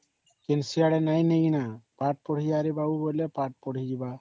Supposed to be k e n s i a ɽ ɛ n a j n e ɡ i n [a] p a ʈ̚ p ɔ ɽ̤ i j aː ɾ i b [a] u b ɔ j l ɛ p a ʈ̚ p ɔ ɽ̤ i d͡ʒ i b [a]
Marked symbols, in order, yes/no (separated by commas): yes, yes, yes